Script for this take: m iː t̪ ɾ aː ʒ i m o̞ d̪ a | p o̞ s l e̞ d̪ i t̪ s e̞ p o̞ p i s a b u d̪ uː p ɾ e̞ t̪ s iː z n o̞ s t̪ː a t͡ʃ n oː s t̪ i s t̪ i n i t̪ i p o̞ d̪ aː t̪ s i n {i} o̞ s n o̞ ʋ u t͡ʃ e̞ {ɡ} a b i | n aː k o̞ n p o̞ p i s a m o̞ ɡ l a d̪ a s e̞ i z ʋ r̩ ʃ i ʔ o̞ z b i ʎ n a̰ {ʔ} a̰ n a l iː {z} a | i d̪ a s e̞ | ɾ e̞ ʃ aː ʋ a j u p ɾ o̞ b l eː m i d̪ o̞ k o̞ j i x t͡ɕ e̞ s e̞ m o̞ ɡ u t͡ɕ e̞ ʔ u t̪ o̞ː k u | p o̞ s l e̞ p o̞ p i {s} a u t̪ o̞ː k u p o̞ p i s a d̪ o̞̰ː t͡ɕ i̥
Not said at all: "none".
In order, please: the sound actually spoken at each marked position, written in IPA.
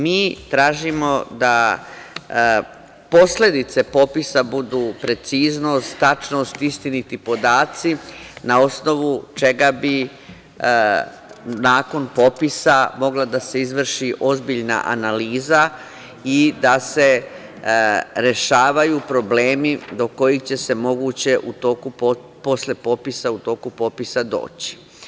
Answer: a, ɡ, ʔ, z, s

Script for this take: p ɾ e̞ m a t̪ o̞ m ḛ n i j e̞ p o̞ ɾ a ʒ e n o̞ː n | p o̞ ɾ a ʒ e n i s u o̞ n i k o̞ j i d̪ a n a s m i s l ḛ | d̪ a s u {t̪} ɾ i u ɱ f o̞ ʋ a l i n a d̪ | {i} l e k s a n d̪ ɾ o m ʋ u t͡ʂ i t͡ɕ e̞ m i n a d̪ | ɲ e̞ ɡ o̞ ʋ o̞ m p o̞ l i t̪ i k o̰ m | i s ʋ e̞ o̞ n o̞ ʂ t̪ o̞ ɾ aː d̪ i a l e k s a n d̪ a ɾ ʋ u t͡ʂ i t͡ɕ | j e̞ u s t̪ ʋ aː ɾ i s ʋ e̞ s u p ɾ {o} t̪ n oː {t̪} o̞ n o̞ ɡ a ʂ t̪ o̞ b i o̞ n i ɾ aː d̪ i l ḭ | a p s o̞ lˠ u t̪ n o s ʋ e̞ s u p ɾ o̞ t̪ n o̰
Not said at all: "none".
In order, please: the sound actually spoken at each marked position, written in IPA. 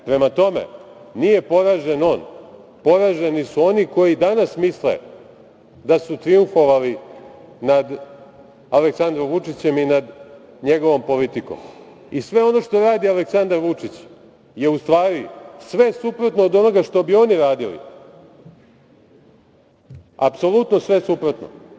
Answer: t̪, a, o, d̪

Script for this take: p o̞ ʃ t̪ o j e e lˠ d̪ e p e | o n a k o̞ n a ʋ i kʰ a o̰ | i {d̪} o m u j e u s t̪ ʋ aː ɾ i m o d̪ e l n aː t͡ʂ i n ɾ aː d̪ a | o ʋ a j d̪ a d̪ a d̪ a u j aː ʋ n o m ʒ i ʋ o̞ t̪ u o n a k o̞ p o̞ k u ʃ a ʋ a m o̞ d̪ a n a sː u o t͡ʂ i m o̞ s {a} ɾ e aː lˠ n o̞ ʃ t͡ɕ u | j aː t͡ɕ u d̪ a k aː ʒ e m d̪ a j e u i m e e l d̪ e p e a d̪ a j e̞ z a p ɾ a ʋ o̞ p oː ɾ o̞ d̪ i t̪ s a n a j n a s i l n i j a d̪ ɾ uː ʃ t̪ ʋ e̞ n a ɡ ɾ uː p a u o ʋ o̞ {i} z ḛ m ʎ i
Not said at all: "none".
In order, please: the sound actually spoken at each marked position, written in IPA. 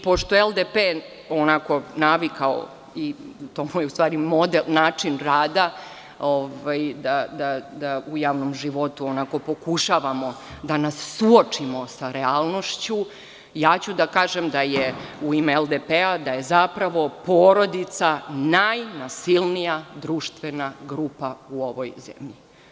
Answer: t̪, a, j

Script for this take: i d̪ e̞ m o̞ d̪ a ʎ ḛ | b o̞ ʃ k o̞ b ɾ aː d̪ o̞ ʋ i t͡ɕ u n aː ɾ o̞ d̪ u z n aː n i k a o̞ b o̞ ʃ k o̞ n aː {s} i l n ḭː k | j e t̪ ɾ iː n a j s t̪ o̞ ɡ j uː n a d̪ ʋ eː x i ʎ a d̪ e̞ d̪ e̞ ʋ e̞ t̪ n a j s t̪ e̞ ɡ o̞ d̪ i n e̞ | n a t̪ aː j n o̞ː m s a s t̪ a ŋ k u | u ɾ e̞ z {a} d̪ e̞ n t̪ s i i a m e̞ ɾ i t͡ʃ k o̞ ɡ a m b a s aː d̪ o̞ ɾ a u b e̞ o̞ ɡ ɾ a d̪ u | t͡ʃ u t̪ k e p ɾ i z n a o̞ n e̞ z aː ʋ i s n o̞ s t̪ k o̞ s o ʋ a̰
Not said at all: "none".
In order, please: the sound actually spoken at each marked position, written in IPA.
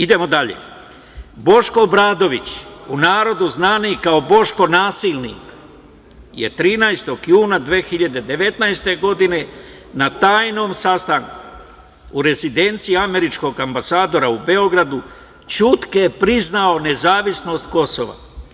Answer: s, i

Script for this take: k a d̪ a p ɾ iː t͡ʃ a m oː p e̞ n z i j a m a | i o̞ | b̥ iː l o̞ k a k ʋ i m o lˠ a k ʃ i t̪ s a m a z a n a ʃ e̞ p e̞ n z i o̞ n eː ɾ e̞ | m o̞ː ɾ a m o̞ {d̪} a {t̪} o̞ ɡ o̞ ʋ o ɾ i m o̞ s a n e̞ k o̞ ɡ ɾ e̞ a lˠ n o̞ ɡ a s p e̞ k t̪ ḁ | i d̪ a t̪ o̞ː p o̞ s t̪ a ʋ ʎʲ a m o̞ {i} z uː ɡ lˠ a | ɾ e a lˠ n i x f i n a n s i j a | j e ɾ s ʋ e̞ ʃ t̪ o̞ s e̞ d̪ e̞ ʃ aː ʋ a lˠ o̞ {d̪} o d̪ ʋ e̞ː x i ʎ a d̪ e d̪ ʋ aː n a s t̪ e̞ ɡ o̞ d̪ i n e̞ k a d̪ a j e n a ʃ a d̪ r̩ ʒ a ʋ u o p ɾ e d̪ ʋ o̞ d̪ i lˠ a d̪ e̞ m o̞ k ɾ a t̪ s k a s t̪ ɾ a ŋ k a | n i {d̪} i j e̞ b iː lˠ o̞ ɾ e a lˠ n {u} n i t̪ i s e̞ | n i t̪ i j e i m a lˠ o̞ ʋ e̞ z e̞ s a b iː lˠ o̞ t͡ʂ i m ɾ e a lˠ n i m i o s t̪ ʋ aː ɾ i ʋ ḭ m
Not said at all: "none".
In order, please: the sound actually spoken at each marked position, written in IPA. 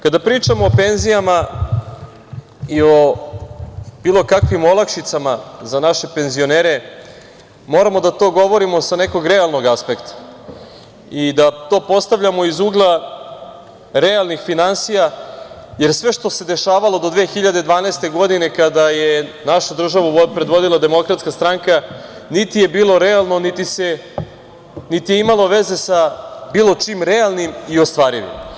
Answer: d̪, t̪, i, d̪, t̪, o

